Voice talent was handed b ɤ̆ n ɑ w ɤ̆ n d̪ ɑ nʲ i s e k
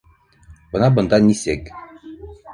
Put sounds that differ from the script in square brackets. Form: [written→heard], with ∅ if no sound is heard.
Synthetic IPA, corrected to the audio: b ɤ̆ n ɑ [w→b] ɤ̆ n d̪ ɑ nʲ i s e k